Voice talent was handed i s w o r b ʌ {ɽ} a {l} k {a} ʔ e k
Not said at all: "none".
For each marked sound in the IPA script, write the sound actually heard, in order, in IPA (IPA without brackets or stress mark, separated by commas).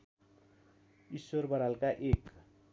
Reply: ɾ, l, a